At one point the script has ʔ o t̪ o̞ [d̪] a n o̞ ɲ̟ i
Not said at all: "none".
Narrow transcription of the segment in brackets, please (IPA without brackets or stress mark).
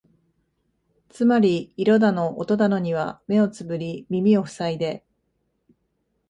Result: d̪